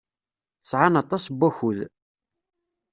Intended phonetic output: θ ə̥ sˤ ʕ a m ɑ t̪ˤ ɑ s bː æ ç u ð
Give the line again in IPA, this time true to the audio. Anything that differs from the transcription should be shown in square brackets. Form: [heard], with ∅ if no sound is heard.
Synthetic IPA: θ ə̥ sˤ ʕ a [n] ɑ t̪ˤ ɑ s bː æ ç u ð